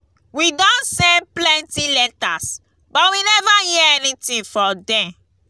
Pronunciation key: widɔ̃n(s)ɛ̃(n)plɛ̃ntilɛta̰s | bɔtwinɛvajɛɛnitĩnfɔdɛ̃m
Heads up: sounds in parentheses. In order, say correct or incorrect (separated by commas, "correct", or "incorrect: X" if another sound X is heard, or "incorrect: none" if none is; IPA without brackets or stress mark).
correct, correct